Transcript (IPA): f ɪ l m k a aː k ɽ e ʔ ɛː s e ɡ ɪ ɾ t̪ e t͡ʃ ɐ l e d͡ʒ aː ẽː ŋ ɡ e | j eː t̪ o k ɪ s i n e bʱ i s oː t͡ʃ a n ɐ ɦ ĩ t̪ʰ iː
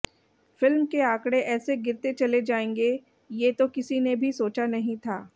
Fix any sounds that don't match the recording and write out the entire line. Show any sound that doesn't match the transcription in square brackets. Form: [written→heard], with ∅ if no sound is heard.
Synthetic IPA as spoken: f ɪ l m k [a→e] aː k ɽ e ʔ ɛː s e ɡ ɪ ɾ t̪ e t͡ʃ ɐ l e d͡ʒ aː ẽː ŋ ɡ e | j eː t̪ o k ɪ s i n e bʱ i s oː t͡ʃ a n ɐ ɦ ĩ t̪ʰ [iː→aː]